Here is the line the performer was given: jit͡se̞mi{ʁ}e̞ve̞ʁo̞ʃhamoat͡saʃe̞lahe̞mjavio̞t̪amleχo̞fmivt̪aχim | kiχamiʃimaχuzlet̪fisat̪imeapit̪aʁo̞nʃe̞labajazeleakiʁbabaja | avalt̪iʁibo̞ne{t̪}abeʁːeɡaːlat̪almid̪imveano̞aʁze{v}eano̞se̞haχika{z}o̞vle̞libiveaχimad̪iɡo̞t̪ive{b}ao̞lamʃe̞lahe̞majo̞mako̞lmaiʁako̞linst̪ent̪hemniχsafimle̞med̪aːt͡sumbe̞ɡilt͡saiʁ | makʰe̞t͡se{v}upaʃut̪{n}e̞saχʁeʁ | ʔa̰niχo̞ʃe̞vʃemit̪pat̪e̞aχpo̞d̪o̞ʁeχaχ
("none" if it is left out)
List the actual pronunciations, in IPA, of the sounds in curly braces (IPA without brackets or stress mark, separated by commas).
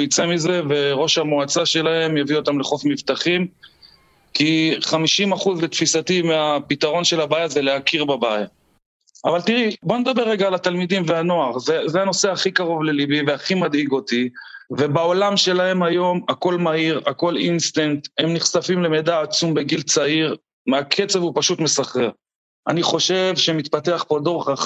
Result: z, d̪, z, ʁ, b, v, m